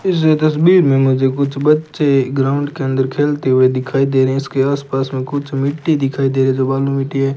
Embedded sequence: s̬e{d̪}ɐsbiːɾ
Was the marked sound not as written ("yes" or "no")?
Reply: yes